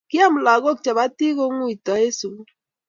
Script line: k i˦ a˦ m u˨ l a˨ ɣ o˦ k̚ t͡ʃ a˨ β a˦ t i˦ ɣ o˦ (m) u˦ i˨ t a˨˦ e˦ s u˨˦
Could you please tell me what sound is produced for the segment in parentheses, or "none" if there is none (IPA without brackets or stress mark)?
ŋ